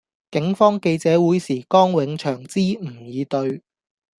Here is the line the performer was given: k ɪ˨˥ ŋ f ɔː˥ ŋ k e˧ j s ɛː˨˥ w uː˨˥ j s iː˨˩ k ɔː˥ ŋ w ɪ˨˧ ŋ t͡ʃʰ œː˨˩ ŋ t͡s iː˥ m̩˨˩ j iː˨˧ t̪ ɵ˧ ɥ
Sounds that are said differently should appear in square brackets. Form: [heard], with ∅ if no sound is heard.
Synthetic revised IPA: k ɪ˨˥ ŋ f ɔː˥ ŋ k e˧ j [t͡s] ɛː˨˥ w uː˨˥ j s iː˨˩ k ɔː˥ ŋ w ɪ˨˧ ŋ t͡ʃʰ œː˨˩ ŋ t͡s iː˥ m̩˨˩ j iː˨˧ t̪ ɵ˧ ɥ